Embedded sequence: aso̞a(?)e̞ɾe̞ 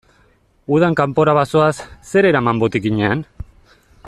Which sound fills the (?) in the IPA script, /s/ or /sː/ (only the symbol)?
sː